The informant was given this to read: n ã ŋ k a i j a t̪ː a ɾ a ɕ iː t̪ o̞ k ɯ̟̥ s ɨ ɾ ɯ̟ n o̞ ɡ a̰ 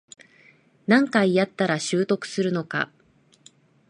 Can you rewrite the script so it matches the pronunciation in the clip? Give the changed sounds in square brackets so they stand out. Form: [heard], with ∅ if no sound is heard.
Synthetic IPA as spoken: n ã ŋ k a i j a t̪ː a ɾ a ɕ [ɨː] t̪ o̞ k ɯ̟̥ s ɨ ɾ ɯ̟ n o̞ [k] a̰